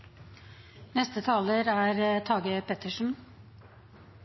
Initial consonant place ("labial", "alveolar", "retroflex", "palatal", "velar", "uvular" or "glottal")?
alveolar